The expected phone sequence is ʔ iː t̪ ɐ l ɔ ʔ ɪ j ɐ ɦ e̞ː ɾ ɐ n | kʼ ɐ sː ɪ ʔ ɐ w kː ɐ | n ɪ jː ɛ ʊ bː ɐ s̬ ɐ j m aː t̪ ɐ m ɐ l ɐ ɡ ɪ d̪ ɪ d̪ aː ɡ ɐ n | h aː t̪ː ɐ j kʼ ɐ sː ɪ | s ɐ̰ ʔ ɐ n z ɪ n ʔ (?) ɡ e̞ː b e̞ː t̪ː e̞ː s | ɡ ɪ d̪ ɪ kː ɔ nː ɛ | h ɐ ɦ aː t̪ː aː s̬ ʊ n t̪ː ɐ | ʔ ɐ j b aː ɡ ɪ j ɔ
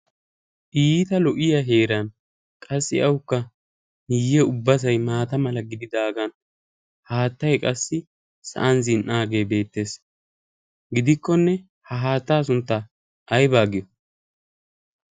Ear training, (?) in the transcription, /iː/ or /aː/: aː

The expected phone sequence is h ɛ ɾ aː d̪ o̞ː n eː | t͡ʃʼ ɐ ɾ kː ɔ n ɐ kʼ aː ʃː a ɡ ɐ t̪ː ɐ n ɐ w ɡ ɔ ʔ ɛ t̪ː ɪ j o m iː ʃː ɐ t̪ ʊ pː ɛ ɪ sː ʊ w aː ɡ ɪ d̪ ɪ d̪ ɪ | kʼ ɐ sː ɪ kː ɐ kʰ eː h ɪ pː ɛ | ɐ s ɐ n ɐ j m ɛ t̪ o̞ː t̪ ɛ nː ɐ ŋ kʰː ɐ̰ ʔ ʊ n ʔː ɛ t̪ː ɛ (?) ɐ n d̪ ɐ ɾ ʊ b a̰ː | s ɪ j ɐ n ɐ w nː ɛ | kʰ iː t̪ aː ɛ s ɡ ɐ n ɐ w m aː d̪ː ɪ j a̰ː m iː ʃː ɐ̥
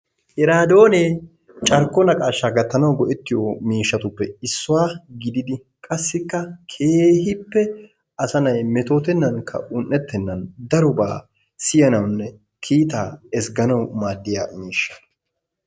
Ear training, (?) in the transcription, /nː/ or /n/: nː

